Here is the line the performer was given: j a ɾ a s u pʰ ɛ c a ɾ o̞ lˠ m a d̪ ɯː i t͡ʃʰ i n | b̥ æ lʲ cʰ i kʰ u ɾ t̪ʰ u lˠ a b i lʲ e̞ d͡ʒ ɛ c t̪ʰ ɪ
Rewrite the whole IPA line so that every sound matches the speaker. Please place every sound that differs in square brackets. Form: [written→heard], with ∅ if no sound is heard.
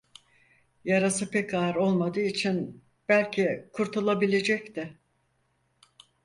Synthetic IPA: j a ɾ a s [u→ɯ] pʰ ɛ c a ɾ o̞ lˠ m a d̪ ɯː i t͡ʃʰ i n | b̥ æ lʲ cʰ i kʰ u ɾ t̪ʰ u lˠ a b i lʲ e̞ d͡ʒ ɛ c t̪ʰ ɪ